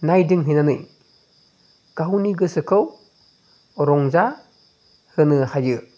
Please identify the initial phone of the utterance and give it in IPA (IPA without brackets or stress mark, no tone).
n